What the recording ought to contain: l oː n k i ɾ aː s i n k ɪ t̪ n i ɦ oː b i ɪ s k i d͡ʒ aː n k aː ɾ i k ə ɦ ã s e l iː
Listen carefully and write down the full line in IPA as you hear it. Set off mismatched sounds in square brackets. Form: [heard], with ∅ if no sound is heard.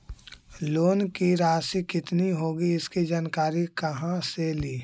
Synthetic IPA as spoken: l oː n k i ɾ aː s i [∅] k ɪ t̪ n i ɦ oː [ɡ] i ɪ s k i d͡ʒ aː n k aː ɾ i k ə ɦ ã s e l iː